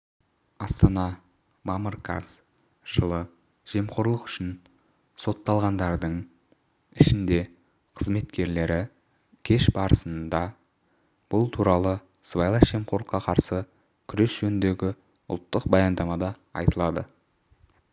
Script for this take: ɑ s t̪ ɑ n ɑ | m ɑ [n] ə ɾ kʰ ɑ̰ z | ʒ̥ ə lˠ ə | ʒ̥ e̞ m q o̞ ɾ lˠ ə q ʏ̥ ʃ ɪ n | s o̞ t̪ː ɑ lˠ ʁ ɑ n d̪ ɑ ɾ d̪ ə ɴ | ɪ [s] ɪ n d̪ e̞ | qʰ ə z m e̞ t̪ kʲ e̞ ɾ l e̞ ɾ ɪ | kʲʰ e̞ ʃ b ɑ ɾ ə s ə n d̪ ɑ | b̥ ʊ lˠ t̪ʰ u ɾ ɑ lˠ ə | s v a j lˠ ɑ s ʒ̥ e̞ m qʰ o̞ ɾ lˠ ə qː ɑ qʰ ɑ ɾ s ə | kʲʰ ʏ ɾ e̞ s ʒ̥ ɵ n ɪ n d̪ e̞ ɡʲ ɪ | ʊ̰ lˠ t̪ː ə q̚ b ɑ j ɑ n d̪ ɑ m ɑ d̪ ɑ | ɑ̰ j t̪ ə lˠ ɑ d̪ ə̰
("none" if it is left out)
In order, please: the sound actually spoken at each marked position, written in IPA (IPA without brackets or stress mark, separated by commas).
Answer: m, ʃ